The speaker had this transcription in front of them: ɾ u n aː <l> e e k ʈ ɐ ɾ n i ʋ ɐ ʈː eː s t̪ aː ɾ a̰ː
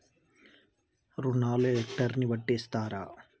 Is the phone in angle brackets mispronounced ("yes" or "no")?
no